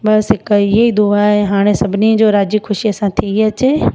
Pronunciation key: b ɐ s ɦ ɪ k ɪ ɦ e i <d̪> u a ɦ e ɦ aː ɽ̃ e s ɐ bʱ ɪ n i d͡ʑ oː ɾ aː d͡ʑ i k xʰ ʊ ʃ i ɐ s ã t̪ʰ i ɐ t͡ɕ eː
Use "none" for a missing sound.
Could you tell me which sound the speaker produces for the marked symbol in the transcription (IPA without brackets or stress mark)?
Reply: d̪